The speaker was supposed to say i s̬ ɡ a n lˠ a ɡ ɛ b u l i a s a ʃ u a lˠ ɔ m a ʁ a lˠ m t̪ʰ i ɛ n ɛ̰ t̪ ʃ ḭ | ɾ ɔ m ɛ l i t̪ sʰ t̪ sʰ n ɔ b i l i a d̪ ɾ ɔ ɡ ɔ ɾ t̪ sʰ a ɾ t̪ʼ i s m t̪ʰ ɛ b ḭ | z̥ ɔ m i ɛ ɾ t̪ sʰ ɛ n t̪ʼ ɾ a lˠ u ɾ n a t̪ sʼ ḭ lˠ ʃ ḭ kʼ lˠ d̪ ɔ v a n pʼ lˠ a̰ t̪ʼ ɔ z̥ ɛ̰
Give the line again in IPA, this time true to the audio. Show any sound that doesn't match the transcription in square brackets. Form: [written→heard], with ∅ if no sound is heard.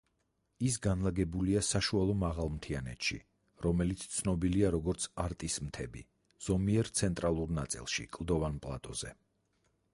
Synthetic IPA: i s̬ ɡ a n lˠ a ɡ ɛ b u l i a s a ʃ u a lˠ ɔ m a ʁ a lˠ m t̪ʰ i [ɛ→a] n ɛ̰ t̪ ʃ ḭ | ɾ ɔ m ɛ l i t̪ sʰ t̪ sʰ n ɔ b i l i a [d̪→∅] ɾ ɔ ɡ ɔ ɾ t̪ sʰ a ɾ t̪ʼ i s m t̪ʰ ɛ b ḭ | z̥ ɔ m i ɛ ɾ t̪ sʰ ɛ n t̪ʼ ɾ a lˠ u ɾ n a t̪ sʼ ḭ lˠ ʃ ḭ kʼ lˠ d̪ ɔ v a n pʼ lˠ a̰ t̪ʼ ɔ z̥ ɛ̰